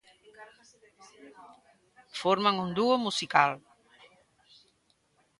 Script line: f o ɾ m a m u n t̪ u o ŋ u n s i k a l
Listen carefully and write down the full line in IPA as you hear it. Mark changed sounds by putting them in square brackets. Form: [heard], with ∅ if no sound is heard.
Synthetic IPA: f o ɾ m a [ŋ] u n [d̪] u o [m] u [∅] s i k a l